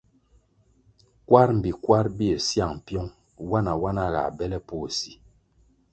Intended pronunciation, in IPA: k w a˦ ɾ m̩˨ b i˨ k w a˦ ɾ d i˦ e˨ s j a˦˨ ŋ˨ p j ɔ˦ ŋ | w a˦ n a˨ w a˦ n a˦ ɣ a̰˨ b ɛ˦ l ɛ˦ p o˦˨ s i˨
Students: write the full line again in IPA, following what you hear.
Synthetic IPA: k w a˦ ɾ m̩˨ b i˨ k w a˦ ɾ b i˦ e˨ s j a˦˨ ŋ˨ p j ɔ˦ ŋ | w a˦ n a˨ w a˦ n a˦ ɣ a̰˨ b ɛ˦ l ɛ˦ p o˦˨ s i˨